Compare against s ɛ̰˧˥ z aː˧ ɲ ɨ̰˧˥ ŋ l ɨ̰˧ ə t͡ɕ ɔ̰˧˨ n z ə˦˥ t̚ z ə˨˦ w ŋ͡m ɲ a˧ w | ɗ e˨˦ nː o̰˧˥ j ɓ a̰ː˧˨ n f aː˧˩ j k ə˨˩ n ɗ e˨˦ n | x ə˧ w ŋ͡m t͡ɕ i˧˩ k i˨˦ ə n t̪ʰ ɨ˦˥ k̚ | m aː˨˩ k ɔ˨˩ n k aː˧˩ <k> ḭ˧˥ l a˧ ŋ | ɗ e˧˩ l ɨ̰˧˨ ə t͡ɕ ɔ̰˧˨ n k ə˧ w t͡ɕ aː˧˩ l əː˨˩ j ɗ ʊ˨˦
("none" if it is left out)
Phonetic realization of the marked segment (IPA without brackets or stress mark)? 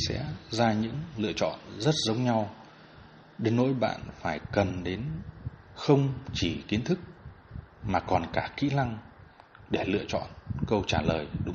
k